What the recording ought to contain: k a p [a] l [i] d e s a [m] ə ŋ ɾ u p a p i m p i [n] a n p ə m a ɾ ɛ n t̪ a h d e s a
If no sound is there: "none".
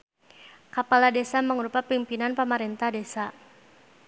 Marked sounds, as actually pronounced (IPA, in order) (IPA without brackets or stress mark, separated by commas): a, a, m, n